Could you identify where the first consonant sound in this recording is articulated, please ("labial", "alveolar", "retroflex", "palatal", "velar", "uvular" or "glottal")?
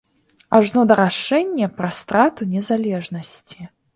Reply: retroflex